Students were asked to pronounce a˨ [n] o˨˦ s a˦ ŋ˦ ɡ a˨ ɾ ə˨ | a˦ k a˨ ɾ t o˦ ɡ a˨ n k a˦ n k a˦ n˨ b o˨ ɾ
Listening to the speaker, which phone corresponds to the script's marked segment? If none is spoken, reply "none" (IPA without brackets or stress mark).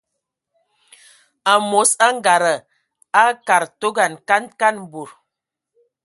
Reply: m